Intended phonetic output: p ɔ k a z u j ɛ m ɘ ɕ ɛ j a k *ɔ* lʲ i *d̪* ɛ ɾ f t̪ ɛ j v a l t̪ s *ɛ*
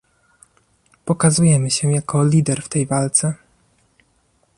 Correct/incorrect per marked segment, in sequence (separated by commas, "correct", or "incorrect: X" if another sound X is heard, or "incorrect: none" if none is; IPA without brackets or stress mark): correct, correct, correct